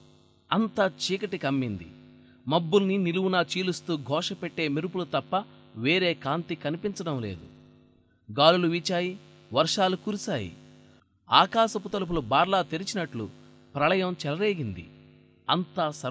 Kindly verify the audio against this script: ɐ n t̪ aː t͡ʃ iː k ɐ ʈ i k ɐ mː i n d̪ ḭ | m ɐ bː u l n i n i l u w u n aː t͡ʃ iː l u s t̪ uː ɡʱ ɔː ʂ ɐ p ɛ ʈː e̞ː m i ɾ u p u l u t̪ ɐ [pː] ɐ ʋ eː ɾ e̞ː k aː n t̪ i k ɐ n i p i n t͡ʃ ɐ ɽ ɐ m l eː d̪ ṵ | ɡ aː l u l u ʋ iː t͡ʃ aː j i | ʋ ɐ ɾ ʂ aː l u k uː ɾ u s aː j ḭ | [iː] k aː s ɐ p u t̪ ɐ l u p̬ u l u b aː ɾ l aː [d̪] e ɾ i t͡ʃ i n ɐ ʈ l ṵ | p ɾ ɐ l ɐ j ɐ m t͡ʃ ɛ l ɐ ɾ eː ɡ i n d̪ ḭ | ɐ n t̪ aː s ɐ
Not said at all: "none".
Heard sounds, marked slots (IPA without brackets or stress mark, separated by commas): pː, aː, t̪